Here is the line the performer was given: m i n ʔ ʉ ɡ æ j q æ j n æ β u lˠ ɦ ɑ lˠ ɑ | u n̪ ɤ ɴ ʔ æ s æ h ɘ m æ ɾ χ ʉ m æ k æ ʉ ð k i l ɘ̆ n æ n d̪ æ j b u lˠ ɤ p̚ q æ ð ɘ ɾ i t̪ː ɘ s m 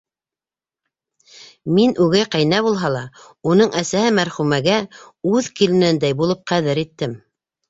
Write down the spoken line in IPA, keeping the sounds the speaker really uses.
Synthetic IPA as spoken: m i n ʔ ʉ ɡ æ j q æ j n æ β u lˠ ɦ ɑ lˠ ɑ | u n̪ ɤ ɴ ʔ æ s æ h ɘ m æ ɾ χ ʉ m æ ɡ æ ʉ ð k i l ɘ̆ n æ n d̪ æ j b u lˠ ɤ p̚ q æ ð ɘ ɾ i t̪ː ɘ m